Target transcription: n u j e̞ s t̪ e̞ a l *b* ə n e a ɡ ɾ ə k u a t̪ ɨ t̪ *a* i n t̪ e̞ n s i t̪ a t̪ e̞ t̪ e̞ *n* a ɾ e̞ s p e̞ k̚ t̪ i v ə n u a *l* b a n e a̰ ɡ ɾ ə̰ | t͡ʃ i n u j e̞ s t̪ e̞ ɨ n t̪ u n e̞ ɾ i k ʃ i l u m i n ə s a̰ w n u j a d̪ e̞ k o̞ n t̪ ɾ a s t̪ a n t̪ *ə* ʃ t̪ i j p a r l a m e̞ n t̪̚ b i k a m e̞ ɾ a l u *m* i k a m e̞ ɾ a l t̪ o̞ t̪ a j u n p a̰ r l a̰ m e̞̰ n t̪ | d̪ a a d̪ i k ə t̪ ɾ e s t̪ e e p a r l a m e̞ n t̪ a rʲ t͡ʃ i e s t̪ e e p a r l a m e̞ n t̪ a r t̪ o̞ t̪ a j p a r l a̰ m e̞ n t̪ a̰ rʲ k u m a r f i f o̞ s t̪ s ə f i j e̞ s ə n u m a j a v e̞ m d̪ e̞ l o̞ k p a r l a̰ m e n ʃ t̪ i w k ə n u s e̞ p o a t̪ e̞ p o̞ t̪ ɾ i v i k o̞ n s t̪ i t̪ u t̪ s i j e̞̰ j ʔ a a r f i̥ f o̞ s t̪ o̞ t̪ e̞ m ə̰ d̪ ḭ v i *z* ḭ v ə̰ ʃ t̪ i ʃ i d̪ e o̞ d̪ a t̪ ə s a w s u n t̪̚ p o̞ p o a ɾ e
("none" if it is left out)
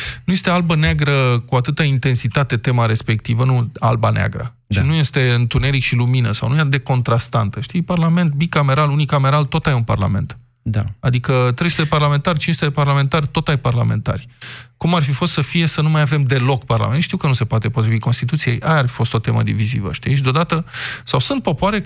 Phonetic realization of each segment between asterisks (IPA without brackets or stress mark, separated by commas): b, a, m, l, ə, n, z